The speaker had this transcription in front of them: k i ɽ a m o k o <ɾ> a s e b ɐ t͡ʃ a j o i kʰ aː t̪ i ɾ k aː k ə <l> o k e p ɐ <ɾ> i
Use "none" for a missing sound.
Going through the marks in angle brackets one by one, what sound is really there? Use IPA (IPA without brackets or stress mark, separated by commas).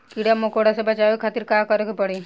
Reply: ɽ, ɾ, ɽ